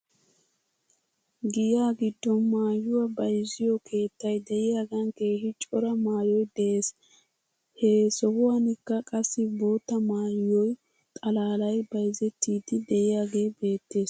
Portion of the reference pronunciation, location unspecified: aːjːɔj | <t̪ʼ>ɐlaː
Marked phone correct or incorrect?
correct